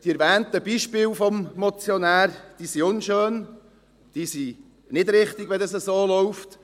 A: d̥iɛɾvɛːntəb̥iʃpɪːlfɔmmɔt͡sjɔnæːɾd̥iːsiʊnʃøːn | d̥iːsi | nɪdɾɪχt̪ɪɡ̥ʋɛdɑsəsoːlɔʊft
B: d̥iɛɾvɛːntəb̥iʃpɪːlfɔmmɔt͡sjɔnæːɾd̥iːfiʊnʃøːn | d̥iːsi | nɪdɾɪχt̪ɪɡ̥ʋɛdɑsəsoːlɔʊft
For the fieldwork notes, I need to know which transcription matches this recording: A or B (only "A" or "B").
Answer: A